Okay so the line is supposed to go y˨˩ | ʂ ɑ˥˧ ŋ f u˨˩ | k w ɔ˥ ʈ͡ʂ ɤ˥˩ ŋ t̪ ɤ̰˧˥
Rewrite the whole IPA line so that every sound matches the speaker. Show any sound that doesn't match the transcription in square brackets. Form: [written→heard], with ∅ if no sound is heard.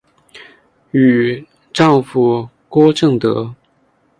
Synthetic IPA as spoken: y˨˩ | [ʂ→ʈ͡ʂ] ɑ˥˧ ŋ f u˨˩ | k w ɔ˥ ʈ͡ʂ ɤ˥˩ ŋ t̪ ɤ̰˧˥